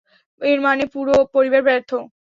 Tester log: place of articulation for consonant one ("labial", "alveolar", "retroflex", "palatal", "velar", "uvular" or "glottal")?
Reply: alveolar